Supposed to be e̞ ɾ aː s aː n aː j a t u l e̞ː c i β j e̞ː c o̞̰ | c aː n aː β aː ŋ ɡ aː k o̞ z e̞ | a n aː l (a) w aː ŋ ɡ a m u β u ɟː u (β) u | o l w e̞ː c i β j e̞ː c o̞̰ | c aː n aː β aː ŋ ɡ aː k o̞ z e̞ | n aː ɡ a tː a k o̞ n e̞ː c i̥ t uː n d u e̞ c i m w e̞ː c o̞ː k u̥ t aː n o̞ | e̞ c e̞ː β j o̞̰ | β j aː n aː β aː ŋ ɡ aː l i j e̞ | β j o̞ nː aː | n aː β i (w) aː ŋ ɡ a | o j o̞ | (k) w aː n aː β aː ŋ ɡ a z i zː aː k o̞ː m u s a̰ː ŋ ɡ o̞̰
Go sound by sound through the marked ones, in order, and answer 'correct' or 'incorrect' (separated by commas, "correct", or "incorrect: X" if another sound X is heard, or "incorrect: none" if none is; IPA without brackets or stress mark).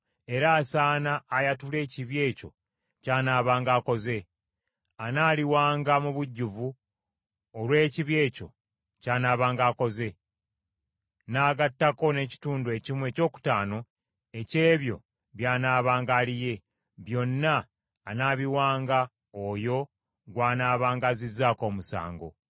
incorrect: i, incorrect: v, correct, incorrect: ɡ